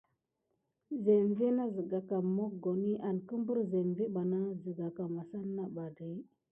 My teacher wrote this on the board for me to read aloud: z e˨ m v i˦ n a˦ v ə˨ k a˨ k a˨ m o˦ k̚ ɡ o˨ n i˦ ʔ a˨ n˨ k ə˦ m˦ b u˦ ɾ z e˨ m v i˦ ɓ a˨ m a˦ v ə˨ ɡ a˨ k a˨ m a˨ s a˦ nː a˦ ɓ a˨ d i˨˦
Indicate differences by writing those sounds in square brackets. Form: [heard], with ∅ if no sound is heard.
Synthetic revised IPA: z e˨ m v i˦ n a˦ [z] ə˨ [ɡ] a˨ k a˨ m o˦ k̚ ɡ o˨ n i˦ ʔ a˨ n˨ k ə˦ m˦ b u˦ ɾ z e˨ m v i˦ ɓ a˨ [n] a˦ [z] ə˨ ɡ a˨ k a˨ m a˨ s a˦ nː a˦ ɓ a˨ d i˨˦

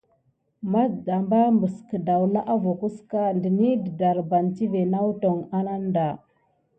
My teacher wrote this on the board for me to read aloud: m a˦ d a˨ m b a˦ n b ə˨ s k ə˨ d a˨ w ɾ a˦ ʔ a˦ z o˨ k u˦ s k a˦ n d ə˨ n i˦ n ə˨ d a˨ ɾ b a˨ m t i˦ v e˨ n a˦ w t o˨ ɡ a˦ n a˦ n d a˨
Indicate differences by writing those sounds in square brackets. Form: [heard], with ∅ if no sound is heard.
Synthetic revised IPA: m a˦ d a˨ m b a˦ [m] b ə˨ s k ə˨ d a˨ w [l] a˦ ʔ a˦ [v] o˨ k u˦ s k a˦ n d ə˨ n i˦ [d] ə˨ d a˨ ɾ b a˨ [n] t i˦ v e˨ n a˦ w t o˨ [ŋ] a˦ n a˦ n d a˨

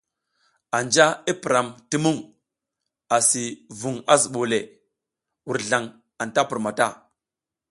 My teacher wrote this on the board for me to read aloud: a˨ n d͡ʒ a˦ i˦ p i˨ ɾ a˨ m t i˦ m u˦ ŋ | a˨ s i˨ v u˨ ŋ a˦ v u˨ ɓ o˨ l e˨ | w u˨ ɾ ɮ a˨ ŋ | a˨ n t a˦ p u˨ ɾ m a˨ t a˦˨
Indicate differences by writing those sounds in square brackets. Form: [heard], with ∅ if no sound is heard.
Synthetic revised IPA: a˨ n d͡ʒ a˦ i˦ p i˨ ɾ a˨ m t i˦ m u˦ ŋ | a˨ s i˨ v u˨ ŋ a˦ [z] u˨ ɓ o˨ l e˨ | w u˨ ɾ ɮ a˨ ŋ | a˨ n t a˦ p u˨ ɾ m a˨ t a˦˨

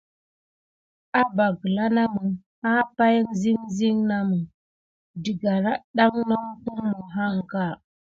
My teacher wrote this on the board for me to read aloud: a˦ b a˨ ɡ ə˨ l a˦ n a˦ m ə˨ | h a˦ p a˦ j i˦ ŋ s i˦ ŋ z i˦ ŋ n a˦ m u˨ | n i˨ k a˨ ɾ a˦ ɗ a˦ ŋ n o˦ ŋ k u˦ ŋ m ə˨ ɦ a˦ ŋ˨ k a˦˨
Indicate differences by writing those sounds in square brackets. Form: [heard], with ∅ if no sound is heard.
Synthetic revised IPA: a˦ b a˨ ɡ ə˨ l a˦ n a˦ m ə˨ | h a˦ p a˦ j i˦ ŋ [z] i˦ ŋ z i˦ ŋ n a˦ m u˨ | [d] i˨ [ɡ] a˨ ɾ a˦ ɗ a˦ ŋ n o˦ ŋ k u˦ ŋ m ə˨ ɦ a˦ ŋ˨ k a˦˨

